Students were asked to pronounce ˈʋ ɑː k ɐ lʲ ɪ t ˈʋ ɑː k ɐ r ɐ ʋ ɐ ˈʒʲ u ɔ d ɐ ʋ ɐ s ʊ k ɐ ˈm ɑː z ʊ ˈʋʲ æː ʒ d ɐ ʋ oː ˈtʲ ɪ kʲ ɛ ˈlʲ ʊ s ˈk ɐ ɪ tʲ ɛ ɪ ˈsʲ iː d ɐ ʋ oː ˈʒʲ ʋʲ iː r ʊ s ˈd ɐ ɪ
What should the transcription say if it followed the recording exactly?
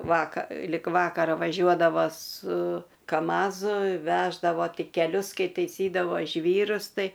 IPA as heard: ˈʋ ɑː k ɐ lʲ ɪ k ˈʋ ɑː k ɐ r ɐ ʋ ɐ ˈʒʲ u ɔ d ɐ ʋ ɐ s ʊ k ɐ ˈm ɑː z ʊ ˈʋʲ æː ʒ d ɐ ʋ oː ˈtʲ ɪ kʲ ɛ ˈlʲ ʊ s ˈk ɐ ɪ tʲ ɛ ɪ ˈsʲ iː d ɐ ʋ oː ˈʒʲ ʋʲ iː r ʊ s ˈt ɐ ɪ